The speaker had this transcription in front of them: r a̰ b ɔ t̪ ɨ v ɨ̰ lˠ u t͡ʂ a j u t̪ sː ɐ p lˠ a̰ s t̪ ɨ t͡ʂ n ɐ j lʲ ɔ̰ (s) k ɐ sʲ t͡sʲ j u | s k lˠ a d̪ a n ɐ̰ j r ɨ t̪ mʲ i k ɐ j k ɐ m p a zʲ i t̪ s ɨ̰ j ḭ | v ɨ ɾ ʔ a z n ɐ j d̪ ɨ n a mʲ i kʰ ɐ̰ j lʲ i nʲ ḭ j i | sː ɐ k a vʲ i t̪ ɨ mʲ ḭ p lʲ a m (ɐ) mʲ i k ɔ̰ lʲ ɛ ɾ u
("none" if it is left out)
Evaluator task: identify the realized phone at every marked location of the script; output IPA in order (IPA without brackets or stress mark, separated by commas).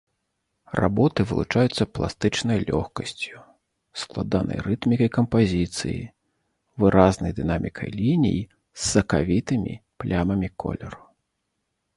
x, ɐ